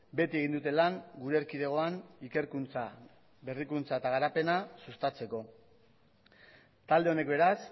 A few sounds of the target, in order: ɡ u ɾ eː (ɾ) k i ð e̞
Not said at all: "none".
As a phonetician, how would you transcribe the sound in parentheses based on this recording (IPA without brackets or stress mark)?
ɾ